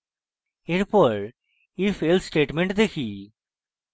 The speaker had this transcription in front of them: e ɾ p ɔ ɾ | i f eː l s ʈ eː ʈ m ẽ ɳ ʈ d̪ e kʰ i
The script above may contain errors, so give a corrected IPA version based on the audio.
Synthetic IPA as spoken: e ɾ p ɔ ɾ | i f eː l s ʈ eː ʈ m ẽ ɳ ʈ d̪ e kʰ i